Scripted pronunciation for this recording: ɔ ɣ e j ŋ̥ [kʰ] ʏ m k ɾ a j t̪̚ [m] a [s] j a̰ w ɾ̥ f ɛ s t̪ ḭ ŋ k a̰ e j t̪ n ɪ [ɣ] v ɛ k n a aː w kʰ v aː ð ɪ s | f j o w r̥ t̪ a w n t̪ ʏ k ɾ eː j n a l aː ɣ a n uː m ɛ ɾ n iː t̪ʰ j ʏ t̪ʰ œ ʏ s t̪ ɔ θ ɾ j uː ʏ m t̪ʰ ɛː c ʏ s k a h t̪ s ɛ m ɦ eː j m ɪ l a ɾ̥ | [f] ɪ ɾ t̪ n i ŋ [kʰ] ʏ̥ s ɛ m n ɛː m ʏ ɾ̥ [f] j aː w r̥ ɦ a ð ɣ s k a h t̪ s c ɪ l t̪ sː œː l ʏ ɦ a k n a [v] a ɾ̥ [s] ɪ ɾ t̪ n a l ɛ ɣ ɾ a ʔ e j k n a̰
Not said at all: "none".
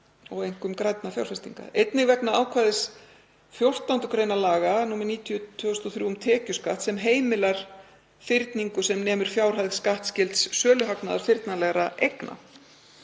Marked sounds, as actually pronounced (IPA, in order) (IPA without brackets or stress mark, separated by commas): k, n, f, ɣ, f, k, f, ð, f